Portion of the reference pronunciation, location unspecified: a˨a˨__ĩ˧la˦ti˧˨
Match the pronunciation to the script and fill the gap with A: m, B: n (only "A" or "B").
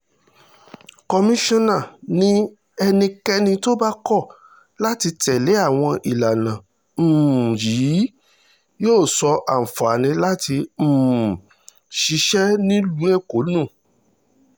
B